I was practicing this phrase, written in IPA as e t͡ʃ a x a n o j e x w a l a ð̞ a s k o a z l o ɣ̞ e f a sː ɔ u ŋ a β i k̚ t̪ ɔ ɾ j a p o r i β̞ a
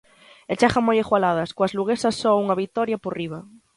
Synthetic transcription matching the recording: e t͡ʃ a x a m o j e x w a l a ð̞ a s k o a z l u ɣ̞ e s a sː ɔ u ŋ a β i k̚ t̪ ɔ ɾ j a p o r i β̞ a